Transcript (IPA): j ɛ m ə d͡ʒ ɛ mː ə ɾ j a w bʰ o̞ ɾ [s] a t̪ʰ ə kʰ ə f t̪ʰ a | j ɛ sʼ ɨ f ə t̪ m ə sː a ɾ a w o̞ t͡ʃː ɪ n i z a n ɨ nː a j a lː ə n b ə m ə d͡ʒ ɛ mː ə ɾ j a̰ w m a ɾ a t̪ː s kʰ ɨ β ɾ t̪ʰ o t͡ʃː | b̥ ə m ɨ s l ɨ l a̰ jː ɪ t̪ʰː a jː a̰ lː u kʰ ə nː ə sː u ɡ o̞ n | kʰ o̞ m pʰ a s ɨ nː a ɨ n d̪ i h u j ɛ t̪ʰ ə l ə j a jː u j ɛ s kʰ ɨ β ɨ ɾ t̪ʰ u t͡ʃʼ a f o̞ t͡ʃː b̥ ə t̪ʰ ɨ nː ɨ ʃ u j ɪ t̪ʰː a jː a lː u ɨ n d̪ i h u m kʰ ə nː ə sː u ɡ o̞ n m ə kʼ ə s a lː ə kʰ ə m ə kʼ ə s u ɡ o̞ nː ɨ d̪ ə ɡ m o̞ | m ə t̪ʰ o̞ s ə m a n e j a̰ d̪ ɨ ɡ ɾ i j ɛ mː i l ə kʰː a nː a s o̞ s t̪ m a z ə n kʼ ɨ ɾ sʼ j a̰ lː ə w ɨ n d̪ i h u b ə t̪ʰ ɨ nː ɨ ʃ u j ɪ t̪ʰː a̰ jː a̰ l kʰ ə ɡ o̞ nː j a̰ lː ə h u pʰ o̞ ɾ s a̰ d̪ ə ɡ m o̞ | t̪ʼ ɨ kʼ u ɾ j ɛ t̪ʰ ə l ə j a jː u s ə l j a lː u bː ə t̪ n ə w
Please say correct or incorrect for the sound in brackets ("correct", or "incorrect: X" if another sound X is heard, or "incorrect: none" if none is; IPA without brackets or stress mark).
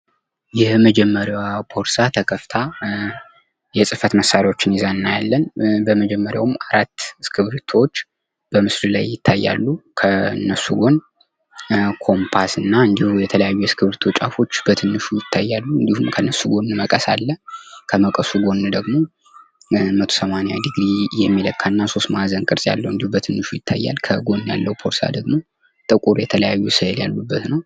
correct